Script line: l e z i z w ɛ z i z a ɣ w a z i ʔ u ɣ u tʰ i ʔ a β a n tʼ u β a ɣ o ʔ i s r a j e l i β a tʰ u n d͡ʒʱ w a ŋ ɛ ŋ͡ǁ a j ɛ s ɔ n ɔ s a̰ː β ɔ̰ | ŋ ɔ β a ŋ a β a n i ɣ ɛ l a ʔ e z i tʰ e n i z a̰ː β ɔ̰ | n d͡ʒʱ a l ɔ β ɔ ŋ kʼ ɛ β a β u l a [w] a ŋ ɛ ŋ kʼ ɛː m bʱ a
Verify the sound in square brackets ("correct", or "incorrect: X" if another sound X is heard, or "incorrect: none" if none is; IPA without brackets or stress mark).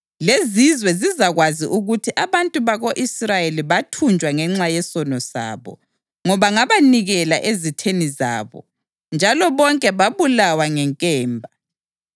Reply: correct